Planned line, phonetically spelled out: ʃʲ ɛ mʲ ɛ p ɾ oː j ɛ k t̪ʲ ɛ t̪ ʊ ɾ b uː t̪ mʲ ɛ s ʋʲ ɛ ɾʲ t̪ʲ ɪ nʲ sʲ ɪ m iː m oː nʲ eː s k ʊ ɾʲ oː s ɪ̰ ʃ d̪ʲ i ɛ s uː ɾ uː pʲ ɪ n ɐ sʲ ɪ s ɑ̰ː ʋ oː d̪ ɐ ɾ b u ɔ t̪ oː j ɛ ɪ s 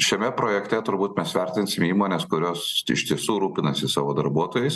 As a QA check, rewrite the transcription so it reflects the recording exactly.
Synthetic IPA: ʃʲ ɛ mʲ ɛ p ɾ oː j ɛ k t̪ʲ ɛ t̪ ʊ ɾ b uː t̪ mʲ ɛ s ʋʲ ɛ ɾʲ t̪ʲ ɪ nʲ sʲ ɪ m iː m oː nʲ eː s k ʊ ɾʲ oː s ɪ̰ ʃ t̪ʲ i ɛ s uː ɾ uː pʲ ɪ n ɐ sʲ ɪ s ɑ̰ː ʋ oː d̪ ɐ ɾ b u ɔ t̪ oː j ɛ ɪ s